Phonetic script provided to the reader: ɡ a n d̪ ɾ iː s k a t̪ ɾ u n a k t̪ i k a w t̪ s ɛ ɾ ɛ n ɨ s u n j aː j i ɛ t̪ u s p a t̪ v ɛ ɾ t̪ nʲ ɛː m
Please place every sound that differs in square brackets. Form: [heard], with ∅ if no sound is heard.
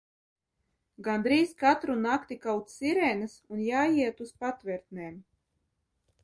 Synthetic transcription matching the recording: ɡ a n d̪ ɾ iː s k a t̪ ɾ u n a k t̪ i k a w t̪ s [i] ɾ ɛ n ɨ s u n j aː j i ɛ t̪ u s p a t̪ v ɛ ɾ t̪ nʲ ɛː m